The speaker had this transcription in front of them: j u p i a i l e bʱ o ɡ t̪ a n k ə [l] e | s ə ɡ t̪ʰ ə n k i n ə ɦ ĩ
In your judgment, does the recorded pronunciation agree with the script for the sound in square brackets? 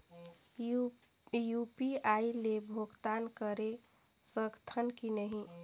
no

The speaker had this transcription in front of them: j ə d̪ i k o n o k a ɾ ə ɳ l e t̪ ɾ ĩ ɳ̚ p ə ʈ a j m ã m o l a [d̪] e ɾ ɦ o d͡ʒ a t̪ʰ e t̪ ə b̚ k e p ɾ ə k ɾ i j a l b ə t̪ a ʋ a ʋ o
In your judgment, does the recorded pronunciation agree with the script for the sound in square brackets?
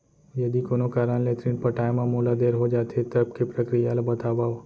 yes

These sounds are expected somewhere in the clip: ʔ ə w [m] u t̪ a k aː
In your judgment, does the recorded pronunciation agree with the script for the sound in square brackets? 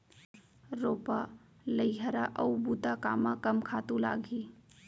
no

